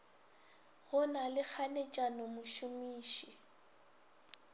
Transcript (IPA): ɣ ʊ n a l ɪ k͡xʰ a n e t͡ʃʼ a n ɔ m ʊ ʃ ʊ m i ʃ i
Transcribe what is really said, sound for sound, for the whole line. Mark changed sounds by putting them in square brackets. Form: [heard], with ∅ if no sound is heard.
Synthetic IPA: ɣ ʊ n a l ɪ k͡xʰ a n e t͡ʃʼ a n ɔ m ʊ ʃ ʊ m [iː] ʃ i